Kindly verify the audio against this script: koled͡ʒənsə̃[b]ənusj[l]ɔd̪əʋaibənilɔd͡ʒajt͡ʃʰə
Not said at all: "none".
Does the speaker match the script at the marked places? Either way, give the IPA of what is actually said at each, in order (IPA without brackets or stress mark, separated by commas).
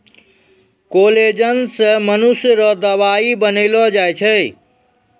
m, ɾ